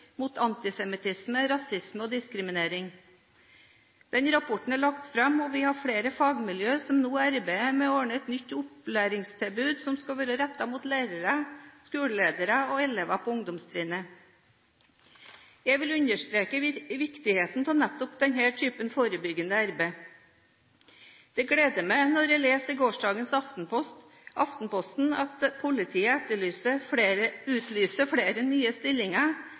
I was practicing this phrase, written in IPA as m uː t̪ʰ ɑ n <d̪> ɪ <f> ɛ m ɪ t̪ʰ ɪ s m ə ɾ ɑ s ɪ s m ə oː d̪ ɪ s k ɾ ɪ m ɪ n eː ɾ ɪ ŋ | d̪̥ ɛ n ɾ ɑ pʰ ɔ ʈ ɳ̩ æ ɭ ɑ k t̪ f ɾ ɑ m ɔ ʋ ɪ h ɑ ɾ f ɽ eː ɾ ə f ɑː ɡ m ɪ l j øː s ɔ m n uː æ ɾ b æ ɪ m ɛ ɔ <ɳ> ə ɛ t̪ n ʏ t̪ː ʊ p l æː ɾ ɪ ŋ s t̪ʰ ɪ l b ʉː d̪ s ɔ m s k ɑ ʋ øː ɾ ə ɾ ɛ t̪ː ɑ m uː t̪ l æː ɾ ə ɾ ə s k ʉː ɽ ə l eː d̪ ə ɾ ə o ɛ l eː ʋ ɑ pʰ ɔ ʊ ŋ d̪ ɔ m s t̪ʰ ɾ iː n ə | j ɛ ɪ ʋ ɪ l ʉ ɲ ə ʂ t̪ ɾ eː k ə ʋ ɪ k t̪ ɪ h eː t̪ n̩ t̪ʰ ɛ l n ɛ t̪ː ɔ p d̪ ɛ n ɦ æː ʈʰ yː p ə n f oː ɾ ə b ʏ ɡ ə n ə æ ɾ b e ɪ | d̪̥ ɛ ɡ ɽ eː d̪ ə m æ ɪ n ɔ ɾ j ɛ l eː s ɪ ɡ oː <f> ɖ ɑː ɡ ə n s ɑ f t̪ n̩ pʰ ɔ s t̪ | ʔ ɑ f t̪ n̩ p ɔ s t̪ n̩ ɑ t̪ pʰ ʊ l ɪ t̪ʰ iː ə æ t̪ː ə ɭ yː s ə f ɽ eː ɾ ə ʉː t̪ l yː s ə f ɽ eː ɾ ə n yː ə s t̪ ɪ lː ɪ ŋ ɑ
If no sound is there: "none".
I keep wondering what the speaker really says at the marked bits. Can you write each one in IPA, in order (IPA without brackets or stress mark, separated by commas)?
t̪, s, ɳ, ʂ